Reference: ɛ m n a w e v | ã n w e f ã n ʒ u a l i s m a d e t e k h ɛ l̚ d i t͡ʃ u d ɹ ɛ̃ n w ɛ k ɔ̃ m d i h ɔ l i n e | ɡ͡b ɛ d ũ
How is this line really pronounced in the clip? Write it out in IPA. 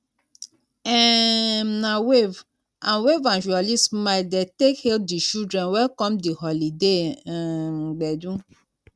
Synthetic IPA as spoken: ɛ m n a w e v | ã n w e v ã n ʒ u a l i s m a d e t e k h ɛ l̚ d i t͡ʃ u d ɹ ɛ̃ n w ɛ k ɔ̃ m d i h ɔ l i d e | ɡ͡b ɛ d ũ